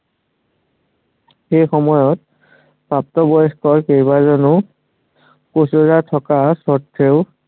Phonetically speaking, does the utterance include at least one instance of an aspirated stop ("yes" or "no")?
yes